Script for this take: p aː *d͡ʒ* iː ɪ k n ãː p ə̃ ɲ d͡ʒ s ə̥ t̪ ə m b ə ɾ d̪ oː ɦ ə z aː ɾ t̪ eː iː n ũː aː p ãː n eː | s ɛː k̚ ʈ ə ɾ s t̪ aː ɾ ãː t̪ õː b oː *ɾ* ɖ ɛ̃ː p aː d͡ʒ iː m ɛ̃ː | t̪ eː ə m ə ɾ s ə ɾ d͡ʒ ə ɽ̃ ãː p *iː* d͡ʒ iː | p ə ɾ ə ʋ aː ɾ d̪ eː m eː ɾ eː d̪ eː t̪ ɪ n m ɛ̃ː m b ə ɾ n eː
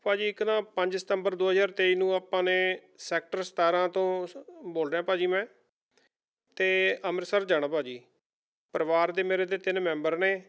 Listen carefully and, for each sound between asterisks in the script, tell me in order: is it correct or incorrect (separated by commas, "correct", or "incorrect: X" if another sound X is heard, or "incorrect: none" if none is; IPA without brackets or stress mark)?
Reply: correct, incorrect: l, incorrect: aː